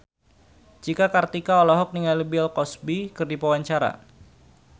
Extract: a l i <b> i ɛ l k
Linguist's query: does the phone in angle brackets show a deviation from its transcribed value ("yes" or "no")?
no